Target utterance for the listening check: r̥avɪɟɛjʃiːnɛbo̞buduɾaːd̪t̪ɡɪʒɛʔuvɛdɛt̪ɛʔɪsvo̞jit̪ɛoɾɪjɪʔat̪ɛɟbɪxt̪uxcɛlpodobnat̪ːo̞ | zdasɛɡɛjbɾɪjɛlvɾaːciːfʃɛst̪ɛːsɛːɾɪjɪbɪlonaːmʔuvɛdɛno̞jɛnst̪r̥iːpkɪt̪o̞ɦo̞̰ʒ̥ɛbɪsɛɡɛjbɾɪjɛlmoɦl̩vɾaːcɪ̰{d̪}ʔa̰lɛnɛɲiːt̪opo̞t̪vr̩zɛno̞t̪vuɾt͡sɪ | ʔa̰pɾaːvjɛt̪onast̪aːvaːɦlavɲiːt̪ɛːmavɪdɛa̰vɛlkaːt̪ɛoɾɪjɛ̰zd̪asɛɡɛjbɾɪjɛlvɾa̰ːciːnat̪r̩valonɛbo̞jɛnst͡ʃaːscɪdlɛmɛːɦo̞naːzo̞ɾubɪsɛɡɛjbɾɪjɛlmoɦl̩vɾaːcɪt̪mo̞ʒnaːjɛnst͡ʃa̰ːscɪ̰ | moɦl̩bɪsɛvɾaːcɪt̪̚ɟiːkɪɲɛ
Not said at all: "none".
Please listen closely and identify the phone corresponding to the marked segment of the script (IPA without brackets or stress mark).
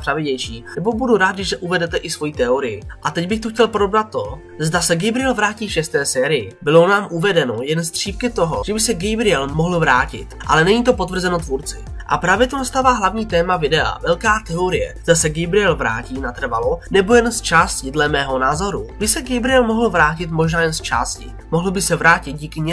t̪